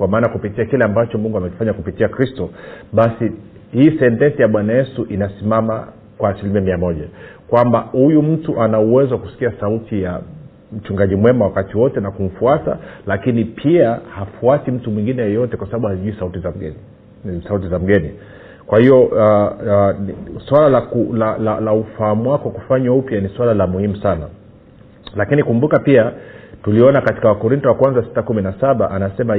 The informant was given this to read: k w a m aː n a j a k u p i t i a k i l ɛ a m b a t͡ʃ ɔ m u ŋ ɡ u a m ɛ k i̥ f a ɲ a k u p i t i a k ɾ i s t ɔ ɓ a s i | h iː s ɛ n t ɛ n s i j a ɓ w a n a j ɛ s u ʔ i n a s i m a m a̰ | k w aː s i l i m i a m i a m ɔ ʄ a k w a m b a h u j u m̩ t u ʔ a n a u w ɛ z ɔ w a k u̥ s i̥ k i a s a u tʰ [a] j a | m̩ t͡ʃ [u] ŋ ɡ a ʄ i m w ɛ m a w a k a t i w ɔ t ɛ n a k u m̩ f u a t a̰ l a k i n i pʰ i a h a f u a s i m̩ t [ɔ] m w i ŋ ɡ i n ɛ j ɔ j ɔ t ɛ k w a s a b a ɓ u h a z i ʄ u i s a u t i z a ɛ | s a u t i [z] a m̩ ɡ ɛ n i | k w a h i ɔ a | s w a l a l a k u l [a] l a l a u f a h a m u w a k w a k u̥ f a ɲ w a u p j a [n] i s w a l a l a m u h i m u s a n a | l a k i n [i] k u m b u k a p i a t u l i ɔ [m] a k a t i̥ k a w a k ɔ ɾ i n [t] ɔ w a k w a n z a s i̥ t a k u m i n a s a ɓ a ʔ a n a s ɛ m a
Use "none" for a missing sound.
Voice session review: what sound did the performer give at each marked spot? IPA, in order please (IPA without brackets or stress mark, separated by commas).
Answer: i, u, u, z, a, n, i, n, t